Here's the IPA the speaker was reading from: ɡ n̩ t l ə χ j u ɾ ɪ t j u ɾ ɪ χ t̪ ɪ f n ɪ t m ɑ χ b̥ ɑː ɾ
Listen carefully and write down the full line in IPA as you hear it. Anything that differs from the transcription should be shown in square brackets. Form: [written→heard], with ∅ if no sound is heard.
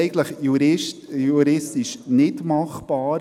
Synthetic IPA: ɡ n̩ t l ə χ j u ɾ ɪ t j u ɾ ɪ [χ→s] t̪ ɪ [f→ʃ] n ɪ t m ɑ χ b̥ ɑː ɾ